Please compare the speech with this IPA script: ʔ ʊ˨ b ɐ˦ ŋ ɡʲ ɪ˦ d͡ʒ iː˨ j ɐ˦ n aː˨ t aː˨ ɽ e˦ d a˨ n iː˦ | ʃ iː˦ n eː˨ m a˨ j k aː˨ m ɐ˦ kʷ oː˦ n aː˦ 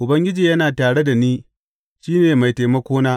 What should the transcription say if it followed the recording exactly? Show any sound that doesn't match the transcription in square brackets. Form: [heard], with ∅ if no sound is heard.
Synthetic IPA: ʔ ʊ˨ b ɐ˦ ŋ ɡʲ ɪ˦ d͡ʒ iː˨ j ɐ˦ n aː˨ t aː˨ ɽ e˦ d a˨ n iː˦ | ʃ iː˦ n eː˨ m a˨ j [t] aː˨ m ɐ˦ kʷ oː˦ n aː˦